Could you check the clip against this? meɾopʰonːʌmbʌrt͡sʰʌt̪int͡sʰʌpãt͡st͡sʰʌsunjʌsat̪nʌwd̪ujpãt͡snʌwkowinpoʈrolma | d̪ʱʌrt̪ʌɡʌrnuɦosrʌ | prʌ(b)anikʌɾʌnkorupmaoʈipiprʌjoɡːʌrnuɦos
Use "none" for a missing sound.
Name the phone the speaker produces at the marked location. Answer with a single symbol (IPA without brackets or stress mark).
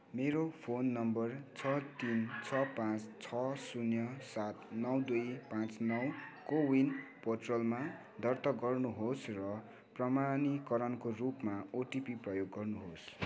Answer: m